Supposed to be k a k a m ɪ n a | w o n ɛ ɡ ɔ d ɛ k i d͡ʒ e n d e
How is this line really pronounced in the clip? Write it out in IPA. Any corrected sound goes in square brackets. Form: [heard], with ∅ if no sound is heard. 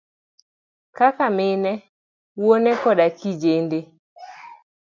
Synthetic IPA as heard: k a k a m ɪ n [ɛ] | w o n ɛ [k] ɔ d [a] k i d͡ʒ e n d e